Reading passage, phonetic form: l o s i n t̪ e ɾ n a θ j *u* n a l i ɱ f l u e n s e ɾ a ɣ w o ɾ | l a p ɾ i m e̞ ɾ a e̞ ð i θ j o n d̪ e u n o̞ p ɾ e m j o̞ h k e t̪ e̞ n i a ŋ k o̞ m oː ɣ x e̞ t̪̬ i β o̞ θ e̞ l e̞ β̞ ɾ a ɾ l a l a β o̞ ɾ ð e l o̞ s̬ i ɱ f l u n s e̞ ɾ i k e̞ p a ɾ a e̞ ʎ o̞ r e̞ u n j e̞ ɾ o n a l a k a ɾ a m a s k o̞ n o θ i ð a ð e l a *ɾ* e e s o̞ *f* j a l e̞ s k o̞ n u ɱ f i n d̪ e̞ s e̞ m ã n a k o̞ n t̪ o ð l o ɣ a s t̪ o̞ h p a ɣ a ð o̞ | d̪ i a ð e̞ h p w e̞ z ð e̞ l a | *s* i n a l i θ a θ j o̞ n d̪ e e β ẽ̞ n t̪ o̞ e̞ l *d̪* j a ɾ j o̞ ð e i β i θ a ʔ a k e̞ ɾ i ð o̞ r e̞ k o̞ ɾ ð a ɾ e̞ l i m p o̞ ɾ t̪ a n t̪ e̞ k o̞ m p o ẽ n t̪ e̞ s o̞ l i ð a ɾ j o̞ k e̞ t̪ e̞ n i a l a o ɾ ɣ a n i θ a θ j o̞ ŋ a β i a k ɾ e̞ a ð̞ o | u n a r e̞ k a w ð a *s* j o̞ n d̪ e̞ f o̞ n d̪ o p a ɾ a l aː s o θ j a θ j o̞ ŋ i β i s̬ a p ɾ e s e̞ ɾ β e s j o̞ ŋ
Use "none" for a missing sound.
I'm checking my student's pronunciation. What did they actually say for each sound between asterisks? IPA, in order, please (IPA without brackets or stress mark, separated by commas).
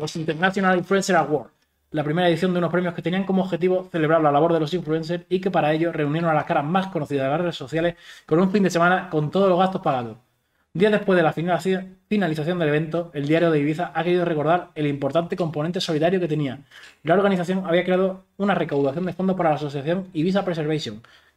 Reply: o, r, θ, f, d̪, θ